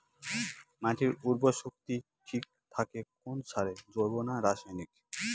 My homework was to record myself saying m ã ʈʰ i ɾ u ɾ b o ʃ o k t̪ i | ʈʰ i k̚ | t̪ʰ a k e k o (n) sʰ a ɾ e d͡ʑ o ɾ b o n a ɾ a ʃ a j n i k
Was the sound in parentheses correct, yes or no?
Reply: yes